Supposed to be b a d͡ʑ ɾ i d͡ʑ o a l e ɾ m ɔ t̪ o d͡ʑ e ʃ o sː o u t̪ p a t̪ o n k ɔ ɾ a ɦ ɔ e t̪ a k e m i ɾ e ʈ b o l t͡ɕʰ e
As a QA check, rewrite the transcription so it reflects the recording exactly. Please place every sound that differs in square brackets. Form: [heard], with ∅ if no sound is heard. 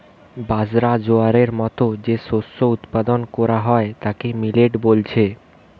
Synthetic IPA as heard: b a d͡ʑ ɾ [a] d͡ʑ o a [ɾ] e ɾ m ɔ t̪ o d͡ʑ e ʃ o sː o u t̪ p a [d̪] o n k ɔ ɾ a ɦ ɔ e t̪ a k e m i [l] e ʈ b o l t͡ɕʰ e